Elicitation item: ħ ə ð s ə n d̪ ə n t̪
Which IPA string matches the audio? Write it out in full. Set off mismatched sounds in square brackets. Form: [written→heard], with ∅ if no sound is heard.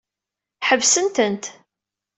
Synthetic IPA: ħ ə [ð→v] s ə n [d̪→t̪] ə n t̪